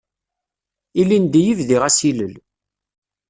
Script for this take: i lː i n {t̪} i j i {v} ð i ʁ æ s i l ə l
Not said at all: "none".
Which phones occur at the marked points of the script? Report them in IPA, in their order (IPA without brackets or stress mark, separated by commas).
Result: d̪, v